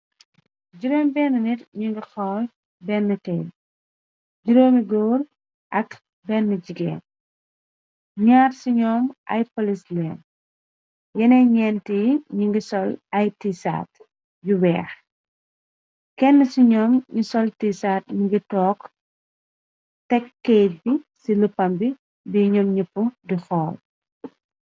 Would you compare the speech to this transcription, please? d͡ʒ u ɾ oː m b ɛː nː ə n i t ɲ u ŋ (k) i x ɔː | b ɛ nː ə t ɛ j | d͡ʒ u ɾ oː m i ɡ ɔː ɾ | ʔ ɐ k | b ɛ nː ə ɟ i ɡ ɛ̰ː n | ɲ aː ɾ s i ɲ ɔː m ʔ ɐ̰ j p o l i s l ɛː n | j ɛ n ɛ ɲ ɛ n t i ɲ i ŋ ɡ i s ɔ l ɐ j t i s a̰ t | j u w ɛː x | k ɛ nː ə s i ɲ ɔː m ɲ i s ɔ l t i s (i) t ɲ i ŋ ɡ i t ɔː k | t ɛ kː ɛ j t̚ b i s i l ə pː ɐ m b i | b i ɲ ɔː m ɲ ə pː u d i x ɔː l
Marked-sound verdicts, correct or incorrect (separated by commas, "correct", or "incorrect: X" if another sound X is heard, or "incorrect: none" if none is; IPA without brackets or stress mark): incorrect: ɡ, incorrect: a